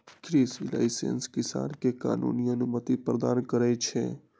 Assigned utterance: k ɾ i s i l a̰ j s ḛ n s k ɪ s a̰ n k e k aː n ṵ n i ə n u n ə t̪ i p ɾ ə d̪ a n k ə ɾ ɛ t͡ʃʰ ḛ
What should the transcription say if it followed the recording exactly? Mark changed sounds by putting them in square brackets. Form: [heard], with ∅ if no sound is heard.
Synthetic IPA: k ɾ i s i l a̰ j s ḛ n s k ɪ s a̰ n k e k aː n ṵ n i ə n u [m] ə t̪ i p ɾ ə d̪ a n k ə ɾ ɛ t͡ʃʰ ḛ